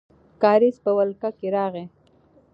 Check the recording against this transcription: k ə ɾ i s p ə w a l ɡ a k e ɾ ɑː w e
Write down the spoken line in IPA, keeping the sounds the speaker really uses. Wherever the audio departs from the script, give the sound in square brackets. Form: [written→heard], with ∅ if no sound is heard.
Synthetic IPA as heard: k [ə→ɑ] ɾ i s p ə w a l [ɡ→k] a k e ɾ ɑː [w→ɣ] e